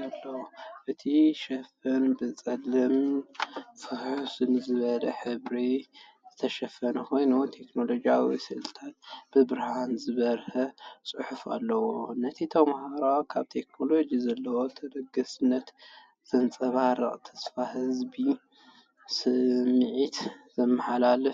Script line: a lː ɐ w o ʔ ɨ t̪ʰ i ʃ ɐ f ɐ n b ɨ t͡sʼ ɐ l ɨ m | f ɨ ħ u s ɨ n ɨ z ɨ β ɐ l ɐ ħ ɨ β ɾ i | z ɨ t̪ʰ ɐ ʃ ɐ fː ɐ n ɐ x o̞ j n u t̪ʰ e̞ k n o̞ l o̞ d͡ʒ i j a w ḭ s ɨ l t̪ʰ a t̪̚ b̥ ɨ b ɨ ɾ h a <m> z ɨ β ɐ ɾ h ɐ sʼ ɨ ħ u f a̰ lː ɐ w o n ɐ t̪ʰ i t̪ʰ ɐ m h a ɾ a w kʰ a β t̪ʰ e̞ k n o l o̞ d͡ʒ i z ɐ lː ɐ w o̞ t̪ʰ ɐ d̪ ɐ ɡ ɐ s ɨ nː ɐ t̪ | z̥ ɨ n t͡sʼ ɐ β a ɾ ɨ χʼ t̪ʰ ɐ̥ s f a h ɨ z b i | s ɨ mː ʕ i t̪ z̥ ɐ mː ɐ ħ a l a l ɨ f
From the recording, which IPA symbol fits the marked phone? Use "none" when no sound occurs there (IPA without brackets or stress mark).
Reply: n